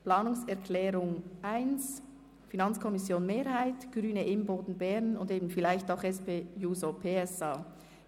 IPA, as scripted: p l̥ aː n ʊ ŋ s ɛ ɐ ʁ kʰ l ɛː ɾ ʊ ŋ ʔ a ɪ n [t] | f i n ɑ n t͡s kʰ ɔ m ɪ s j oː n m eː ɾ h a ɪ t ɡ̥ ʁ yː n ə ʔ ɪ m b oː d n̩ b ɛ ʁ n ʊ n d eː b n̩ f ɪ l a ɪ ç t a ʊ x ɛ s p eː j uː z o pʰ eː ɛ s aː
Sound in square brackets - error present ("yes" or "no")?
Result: yes